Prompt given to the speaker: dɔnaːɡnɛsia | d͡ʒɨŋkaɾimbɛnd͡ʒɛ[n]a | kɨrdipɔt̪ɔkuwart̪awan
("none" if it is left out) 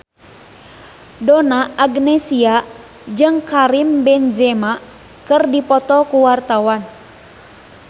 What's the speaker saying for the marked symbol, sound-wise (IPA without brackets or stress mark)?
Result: m